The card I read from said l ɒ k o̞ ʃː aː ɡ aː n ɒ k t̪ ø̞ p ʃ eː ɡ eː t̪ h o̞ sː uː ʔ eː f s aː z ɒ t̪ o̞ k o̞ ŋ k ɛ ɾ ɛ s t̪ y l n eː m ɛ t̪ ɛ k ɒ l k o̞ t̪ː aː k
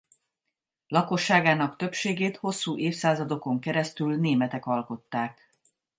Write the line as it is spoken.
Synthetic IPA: l ɒ k o̞ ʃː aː ɡ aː n ɒ k t̪ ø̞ p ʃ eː ɡ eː t̪ h o̞ sː uː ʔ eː f s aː z ɒ d̪ o̞ k o̞ ŋ k ɛ ɾ ɛ s t̪ y l n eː m ɛ t̪ ɛ k ɒ l k o̞ t̪ː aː k